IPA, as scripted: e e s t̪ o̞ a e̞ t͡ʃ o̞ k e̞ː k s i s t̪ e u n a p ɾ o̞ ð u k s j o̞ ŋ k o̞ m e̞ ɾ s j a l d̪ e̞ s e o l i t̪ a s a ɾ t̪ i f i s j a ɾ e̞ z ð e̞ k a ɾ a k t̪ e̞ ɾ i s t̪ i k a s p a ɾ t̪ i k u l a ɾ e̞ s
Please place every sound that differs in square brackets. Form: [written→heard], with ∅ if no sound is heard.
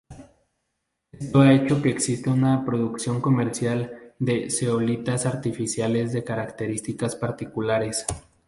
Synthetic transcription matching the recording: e e s t̪ o̞ a e̞ t͡ʃ o̞ k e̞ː k s i s t̪ e u n a p ɾ o̞ ð u k s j o̞ ŋ k o̞ m e̞ ɾ s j a l d̪ e̞ s e o l i t̪ a s a ɾ t̪ i f i s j a [ɾ→l] e̞ z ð e̞ k a ɾ a k t̪ e̞ ɾ i s t̪ i k a s p a ɾ t̪ i k u l a ɾ e̞ s